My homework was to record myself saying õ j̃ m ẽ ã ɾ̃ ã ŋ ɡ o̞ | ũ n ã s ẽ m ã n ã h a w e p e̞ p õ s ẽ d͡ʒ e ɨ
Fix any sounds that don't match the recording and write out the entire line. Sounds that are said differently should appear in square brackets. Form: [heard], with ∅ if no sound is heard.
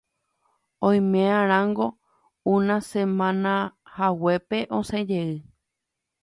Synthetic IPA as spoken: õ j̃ m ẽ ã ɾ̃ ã ŋ ɡ o̞ | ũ n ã s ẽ m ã n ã h a w e p e̞ [ʔ] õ s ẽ d͡ʒ e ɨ

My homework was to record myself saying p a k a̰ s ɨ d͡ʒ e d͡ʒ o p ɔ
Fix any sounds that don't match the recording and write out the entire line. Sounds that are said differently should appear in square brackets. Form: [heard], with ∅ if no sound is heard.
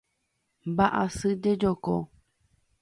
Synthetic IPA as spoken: [b] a [ʔ] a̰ s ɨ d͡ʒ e d͡ʒ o [k] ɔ

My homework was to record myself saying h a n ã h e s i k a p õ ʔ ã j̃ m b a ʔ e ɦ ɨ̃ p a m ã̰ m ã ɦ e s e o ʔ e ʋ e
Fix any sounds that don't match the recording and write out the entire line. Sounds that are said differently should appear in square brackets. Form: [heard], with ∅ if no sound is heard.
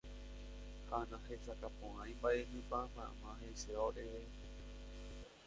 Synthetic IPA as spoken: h a n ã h e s [a] k a p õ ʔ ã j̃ m b a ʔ e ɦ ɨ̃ p a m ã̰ m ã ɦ e s e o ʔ e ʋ e

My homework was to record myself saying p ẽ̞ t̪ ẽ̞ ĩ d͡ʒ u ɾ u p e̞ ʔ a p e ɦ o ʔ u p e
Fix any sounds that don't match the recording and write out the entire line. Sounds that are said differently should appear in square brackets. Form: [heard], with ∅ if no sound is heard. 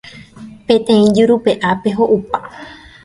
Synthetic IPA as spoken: p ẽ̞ t̪ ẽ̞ ĩ d͡ʒ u ɾ u p e̞ ʔ a p e ɦ o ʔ u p [a]

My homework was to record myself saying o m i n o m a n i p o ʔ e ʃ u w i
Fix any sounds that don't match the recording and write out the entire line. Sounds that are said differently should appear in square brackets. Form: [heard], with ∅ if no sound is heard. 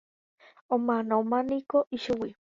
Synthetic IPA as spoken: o m [a] n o m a n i [k] o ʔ [i] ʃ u w i

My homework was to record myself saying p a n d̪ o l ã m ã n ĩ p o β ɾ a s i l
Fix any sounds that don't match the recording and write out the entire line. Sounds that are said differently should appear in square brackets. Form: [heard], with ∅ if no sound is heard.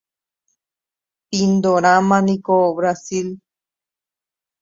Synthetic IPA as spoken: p [i] n d̪ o [ɾ] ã m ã n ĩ [k] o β ɾ a s i l

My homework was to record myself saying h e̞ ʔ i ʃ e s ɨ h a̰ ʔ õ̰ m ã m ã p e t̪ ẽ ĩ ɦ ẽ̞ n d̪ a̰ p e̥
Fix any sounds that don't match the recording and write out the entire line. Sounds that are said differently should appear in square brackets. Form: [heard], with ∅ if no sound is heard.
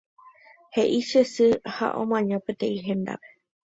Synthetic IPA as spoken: h e̞ ʔ i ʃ e s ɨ h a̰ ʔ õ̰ m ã [ɲ] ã p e t̪ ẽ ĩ ɦ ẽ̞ n d̪ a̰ p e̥

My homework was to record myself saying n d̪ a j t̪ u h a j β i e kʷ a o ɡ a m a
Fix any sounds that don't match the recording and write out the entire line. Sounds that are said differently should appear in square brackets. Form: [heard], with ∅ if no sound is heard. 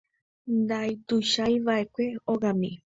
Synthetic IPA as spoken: n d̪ a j t̪ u [ʃ] a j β [a] e kʷ [e] o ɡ a m [i]

